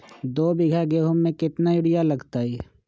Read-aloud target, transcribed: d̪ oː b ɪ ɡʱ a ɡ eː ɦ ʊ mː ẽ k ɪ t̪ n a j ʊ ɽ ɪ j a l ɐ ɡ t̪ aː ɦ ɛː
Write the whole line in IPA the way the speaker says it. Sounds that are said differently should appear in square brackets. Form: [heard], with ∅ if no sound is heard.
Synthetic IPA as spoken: d̪ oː b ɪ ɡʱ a ɡ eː ɦ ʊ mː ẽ k ɪ t̪ n a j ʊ ɽ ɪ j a l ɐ ɡ t̪ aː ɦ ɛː